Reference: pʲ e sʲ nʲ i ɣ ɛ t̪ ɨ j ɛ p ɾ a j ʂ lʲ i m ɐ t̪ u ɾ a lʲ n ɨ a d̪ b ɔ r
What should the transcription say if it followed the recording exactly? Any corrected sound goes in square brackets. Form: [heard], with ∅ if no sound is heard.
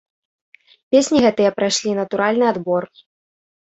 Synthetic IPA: pʲ e sʲ nʲ i ɣ ɛ t̪ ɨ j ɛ p ɾ a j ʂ lʲ i [n] ɐ t̪ u ɾ a lʲ n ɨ a d̪ b ɔ r

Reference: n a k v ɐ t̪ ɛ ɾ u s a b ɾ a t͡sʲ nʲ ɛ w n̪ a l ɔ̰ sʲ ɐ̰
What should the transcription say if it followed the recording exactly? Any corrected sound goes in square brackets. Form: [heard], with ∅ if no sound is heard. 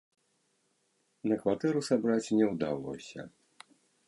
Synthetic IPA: n [ɐ] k v [a] t̪ ɛ ɾ u s a b ɾ a t͡sʲ nʲ ɛ w [d̪] a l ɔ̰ sʲ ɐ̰

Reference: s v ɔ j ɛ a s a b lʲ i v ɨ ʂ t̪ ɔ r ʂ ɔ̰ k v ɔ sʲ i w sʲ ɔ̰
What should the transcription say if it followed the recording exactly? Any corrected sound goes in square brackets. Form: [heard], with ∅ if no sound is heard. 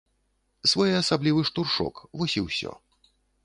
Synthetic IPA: s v ɔ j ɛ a s a b lʲ i v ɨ ʂ t̪ [u] r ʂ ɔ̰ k v ɔ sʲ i w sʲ ɔ̰

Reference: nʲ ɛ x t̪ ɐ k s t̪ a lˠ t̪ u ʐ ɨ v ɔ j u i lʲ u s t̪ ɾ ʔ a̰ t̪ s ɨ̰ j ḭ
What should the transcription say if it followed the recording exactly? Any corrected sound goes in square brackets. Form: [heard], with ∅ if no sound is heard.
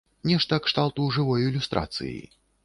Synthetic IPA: nʲ ɛ [ʂ] t̪ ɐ k [ʂ] t̪ a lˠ t̪ u ʐ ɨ v ɔ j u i lʲ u s t̪ ɾ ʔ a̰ t̪ s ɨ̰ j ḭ

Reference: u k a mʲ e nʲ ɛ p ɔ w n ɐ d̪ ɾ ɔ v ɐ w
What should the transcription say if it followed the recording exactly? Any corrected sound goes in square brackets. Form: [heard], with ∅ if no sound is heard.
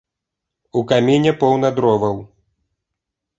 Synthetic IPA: u k a mʲ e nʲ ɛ p ɔ w n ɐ d̪ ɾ ɔ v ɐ w

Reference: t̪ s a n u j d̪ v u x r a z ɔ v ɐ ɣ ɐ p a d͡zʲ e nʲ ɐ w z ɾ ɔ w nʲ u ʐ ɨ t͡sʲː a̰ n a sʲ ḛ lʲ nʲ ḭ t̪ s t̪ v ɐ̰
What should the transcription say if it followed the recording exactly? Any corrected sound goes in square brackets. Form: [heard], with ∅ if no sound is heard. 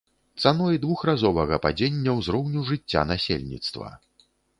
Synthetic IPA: t̪ s a n [ɔ] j d̪ v u x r a z ɔ v ɐ ɣ ɐ p a d͡zʲ e [nʲː] ɐ w z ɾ ɔ w nʲ u ʐ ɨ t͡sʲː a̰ n a sʲ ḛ lʲ nʲ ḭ t̪ s t̪ v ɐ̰

